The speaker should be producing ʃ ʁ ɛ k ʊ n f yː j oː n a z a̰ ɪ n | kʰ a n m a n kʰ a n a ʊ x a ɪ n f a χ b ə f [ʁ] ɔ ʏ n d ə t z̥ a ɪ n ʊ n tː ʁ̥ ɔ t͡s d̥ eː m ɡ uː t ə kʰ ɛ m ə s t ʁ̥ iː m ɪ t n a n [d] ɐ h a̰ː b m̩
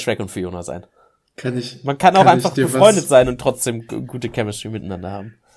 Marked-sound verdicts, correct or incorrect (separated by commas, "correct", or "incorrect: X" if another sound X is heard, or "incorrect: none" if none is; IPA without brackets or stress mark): correct, correct